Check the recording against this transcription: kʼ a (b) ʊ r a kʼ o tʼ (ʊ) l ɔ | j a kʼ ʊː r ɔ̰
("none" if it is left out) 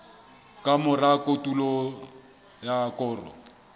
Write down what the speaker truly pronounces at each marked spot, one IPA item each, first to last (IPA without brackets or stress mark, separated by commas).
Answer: m, u